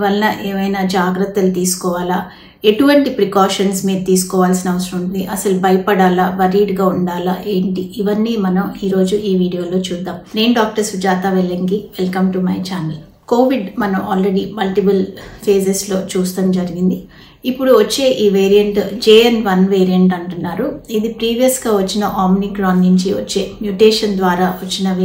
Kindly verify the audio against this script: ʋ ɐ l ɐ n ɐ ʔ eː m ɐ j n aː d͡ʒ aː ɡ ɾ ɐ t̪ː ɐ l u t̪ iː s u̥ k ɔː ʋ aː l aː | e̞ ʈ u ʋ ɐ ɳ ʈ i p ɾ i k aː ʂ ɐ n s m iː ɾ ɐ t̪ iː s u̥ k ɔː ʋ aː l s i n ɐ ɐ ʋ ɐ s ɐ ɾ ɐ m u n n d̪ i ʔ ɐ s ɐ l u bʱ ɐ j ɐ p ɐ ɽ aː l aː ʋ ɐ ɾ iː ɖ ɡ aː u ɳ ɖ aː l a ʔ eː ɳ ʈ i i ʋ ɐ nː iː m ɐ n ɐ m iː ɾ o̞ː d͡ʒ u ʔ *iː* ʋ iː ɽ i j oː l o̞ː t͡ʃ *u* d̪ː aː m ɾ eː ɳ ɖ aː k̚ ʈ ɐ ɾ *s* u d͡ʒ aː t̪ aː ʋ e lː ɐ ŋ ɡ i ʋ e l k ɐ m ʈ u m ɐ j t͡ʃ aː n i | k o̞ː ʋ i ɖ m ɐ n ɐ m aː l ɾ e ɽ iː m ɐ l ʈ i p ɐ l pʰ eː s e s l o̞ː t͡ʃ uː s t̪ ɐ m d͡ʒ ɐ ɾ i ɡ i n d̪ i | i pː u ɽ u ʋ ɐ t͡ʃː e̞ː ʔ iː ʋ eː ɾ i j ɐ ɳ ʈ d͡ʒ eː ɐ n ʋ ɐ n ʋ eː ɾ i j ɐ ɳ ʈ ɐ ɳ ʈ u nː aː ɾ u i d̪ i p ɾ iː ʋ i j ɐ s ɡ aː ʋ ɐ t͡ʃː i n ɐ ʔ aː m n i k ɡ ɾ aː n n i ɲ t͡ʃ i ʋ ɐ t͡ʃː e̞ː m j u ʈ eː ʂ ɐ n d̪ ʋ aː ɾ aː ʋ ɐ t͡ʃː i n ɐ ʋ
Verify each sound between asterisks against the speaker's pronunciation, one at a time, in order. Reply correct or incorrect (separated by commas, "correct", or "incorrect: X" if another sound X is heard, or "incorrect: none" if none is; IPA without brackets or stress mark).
correct, incorrect: uː, correct